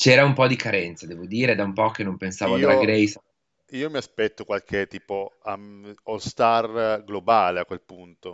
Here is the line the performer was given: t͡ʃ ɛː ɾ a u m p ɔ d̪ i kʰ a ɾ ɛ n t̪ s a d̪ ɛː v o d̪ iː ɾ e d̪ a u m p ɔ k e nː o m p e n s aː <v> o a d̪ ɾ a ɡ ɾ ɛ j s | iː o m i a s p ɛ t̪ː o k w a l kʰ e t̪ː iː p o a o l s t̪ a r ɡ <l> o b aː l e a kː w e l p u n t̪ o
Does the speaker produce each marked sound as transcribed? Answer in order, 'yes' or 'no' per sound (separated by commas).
yes, yes